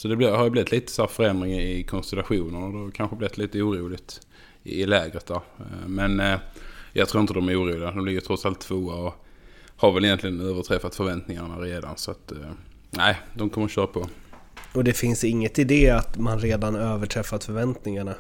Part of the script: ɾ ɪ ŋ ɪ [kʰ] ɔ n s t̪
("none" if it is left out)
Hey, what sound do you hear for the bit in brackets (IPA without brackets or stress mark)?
kʰ